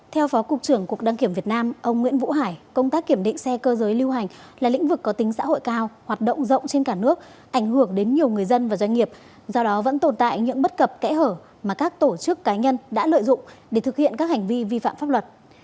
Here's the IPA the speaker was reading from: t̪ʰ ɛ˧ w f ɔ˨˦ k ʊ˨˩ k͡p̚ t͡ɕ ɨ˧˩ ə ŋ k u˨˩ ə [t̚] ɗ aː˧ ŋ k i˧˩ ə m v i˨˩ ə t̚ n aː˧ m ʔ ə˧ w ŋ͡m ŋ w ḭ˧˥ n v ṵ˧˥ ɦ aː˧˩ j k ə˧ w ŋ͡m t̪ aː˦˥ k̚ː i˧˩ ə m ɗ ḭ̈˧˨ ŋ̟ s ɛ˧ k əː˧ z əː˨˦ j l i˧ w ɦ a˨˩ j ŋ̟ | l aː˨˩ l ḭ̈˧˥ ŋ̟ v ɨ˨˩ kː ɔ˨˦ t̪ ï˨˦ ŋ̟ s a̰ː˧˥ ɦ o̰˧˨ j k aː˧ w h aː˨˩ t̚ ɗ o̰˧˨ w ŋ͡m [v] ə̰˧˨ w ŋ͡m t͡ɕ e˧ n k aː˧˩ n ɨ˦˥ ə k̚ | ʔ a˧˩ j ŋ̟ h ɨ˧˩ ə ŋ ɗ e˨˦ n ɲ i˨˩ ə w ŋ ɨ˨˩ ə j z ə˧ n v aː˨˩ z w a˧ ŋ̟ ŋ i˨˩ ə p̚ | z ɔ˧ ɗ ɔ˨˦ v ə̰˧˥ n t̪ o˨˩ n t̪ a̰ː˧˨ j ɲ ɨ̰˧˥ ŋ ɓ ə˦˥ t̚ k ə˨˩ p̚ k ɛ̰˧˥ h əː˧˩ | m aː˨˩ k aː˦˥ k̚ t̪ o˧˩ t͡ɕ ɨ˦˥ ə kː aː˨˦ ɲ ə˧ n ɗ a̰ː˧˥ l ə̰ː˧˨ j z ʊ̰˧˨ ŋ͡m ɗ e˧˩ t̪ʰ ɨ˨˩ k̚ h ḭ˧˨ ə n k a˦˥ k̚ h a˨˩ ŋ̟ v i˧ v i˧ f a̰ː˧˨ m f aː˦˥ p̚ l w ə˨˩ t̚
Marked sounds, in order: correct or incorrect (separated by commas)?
incorrect, incorrect